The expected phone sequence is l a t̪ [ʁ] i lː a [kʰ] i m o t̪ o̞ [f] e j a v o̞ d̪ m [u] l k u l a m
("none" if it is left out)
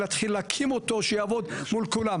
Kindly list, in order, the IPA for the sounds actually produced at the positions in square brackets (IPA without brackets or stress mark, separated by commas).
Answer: χ, kʰ, ʃ, u